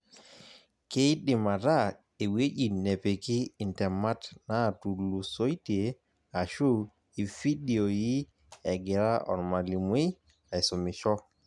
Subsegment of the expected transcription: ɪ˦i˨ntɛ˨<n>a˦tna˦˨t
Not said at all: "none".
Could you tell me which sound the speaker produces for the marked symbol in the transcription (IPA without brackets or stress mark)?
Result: m